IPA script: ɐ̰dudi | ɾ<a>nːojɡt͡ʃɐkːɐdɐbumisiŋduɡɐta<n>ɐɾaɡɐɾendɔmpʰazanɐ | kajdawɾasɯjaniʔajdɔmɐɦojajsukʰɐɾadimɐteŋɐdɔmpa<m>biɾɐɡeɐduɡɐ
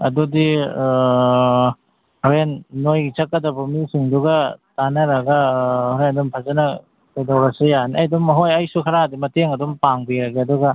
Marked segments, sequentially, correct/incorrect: incorrect: e, correct, incorrect: ŋ

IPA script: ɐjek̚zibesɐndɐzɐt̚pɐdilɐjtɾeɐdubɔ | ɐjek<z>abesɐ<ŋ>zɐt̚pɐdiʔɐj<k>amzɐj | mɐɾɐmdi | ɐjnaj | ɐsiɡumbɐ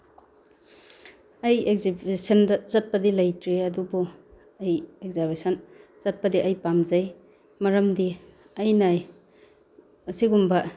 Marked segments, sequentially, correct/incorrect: correct, incorrect: n, incorrect: p

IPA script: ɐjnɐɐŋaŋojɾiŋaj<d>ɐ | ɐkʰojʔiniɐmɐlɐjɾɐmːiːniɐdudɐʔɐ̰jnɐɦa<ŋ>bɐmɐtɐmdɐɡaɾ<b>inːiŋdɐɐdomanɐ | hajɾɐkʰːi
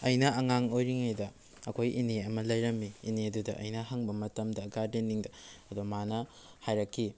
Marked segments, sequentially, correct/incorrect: correct, correct, incorrect: d

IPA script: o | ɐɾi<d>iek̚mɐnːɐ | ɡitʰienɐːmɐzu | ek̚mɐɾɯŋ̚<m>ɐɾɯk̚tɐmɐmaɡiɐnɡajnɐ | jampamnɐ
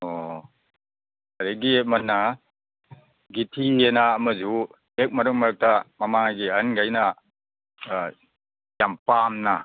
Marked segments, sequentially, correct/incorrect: incorrect: ɡ, correct

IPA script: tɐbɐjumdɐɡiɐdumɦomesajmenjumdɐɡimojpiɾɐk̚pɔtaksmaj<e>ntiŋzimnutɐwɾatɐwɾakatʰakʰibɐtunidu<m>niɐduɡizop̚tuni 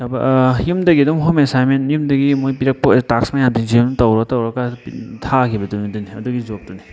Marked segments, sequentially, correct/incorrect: incorrect: a, incorrect: none

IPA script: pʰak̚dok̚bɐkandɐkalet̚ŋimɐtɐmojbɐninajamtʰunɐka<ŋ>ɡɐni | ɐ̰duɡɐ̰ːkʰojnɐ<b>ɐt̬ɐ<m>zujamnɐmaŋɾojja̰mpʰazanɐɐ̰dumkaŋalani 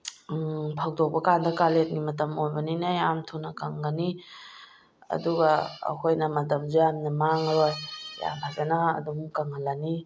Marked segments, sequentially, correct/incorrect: correct, incorrect: m, correct

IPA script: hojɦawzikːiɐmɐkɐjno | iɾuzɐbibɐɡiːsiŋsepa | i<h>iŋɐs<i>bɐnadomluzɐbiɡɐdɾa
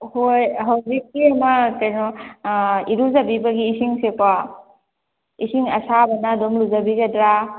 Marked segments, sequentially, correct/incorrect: incorrect: s, incorrect: a

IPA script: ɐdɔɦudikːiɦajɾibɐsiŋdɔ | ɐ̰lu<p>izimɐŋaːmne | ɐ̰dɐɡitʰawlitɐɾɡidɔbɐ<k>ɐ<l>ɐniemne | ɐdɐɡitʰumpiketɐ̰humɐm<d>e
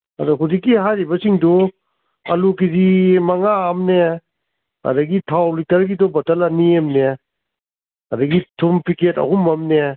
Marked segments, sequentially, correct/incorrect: incorrect: k, incorrect: t, correct, incorrect: n

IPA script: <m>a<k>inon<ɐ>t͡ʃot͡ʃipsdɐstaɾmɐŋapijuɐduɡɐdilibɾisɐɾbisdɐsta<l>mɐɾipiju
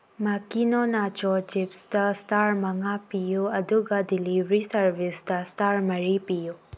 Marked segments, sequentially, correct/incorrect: correct, correct, incorrect: a, incorrect: ɾ

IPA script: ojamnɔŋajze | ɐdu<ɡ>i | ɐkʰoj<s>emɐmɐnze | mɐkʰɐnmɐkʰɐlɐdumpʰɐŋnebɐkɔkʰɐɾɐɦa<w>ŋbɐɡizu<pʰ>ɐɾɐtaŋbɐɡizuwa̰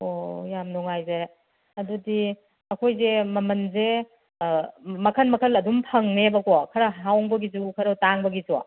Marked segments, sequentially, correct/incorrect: incorrect: d, incorrect: z, correct, incorrect: kʰ

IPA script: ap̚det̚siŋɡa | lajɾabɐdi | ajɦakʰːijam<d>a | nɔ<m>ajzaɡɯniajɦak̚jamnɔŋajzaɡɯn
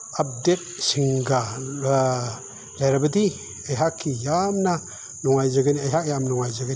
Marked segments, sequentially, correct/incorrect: incorrect: n, incorrect: ŋ

